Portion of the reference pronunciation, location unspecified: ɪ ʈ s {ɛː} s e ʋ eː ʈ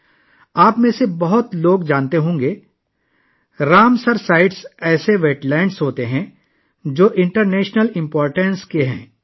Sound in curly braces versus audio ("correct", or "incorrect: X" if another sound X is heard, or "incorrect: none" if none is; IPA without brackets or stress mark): correct